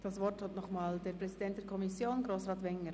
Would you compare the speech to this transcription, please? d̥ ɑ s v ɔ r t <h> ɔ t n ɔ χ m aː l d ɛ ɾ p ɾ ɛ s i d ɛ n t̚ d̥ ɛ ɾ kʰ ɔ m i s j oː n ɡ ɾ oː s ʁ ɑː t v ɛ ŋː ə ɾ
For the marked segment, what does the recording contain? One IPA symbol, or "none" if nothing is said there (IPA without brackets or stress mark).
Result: h